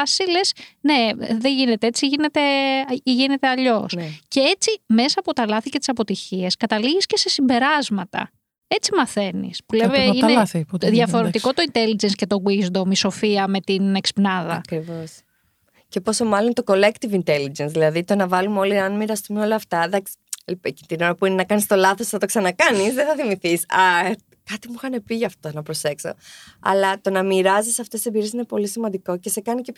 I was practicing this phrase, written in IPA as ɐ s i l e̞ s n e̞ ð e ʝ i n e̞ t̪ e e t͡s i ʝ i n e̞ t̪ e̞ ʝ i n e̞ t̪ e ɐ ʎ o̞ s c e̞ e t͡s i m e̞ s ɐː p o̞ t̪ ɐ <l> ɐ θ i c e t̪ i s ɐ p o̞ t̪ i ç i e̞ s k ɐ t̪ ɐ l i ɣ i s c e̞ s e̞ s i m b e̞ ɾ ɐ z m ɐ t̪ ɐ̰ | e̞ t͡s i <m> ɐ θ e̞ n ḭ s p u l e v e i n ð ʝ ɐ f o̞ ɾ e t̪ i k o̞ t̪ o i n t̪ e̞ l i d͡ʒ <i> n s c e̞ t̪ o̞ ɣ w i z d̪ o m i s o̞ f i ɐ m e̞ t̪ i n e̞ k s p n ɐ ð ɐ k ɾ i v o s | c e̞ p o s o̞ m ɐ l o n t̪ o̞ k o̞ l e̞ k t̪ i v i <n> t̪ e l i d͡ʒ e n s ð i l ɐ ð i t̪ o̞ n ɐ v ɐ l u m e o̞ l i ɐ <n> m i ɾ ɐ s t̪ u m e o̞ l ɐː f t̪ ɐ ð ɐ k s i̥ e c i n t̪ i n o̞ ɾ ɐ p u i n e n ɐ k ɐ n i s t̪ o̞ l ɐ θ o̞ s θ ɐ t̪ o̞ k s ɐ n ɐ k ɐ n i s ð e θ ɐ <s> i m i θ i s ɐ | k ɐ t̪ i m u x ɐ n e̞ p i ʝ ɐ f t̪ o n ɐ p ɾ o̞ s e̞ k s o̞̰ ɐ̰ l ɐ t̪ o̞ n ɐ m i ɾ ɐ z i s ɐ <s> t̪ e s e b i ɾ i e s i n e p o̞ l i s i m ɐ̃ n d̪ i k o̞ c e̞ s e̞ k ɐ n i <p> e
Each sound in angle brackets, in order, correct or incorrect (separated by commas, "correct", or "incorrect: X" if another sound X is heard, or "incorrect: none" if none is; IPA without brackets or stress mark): correct, correct, incorrect: e, correct, correct, incorrect: θ, incorrect: f, incorrect: c